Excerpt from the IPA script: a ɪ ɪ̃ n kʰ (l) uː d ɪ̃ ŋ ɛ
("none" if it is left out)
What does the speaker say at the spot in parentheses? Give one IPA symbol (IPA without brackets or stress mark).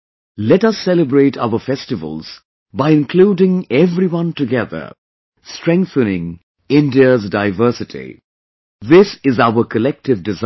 l